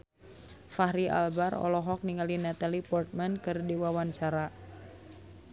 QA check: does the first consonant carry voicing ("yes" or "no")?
no